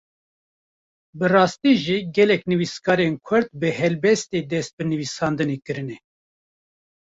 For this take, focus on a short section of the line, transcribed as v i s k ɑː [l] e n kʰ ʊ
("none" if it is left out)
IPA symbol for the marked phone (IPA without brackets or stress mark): ɾ